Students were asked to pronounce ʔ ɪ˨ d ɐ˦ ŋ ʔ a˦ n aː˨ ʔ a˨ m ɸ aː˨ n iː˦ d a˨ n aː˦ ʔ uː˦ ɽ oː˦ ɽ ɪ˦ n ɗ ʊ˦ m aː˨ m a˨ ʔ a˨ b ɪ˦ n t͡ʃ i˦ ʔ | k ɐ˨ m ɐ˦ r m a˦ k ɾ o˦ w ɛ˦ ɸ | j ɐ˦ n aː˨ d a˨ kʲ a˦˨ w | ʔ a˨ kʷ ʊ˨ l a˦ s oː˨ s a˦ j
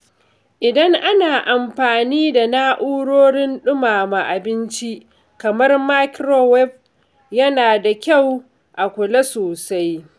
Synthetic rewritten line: ʔ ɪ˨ d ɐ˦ ŋ ʔ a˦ n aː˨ ʔ a˨ m ɸ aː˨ n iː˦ d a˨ n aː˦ ʔ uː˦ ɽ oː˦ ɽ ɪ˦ n ɗ ʊ˦ m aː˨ m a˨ ʔ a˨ b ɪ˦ n t͡ʃ i˦ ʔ | k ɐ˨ m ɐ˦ r m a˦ k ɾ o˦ w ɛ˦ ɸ | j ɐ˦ n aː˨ d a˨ kʲ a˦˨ w | ʔ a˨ kʷ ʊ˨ l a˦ s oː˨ s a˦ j